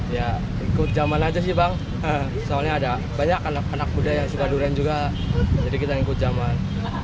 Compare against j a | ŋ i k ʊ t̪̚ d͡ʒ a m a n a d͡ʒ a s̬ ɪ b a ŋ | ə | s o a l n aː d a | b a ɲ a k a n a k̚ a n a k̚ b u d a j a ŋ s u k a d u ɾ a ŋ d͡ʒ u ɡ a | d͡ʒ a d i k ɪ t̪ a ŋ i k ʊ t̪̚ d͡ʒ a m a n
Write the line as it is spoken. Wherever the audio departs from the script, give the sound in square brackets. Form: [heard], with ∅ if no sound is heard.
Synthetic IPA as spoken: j a | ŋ i k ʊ t̪̚ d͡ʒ a m a n a d͡ʒ a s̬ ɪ b a ŋ | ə | s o a l [ɲ] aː d a | b a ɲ a k a n a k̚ a n a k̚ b u d a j a ŋ s u k a d u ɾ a [n] d͡ʒ u ɡ a | d͡ʒ a d i k [i] t̪ a ŋ i k ʊ t̪̚ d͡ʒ a m a n

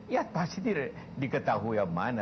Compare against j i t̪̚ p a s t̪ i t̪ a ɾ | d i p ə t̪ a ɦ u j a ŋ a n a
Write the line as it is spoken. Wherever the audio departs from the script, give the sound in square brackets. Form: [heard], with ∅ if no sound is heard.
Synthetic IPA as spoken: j [a] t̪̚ p a s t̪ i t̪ [i] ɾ | d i [k] ə t̪ a ɦ u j a [m] a n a

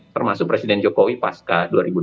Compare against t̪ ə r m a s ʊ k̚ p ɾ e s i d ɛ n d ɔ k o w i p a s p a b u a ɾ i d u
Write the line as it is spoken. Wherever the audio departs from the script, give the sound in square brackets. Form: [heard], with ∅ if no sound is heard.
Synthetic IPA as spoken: t̪ ə r m a s ʊ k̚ p ɾ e s i d ɛ n [d͡ʒ] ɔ k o w i p a s [k] a [d] u a ɾ i [b] u

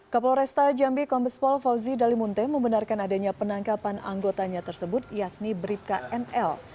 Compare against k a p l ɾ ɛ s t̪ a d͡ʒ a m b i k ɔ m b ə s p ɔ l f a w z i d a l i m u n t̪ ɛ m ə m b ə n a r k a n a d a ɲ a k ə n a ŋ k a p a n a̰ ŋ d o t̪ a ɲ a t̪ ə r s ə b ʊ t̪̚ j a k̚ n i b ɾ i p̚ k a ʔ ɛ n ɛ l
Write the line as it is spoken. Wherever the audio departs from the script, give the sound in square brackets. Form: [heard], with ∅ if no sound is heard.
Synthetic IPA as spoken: k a p l ɾ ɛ s t̪ a d͡ʒ a m b i k ɔ m b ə s p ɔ l f a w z i d a l i m u n t̪ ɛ m ə m b ə n a r k a n a d a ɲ a [p] ə n a ŋ k a p a n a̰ ŋ [ɡ] o t̪ a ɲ a t̪ ə r s ə b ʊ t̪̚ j a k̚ n i b ɾ i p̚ k a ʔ ɛ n ɛ l

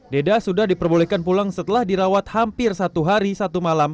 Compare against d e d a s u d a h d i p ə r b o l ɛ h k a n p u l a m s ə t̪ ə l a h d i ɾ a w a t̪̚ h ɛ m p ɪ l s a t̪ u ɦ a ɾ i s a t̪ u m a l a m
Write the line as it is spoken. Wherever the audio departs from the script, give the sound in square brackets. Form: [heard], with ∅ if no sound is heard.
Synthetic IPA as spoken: d e d a s u d a h d i p ə r b o l ɛ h k a n p u l a [ŋ] s ə t̪ ə l a h d i ɾ a w a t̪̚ h [a] m p ɪ [r] s a t̪ u ɦ a ɾ i s a t̪ u m a l a m

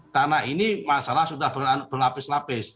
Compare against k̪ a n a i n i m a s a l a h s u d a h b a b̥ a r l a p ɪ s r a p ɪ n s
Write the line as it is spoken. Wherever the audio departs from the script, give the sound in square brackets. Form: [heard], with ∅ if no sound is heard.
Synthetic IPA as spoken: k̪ a n a i n i m a s a l a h s u d a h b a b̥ [ə] r l a p ɪ s [l] a p ɪ [∅] s

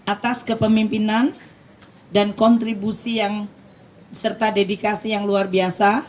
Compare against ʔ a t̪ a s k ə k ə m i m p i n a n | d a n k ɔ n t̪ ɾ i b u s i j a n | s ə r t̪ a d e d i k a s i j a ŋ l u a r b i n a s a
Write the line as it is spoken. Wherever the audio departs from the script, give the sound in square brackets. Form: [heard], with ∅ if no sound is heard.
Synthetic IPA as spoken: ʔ a t̪ a s k ə [p] ə m i m p i n a n | d a n k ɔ n t̪ ɾ i b u s i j a [ŋ] | s ə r t̪ a d e d i k a s i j a ŋ l u a r b i [∅] a s a

